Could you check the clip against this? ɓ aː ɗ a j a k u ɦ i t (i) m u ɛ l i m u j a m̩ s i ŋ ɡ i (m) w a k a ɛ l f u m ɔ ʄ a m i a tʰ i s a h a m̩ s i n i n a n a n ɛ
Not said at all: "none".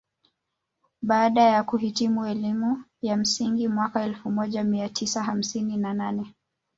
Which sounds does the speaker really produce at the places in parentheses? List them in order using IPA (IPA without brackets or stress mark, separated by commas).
i, m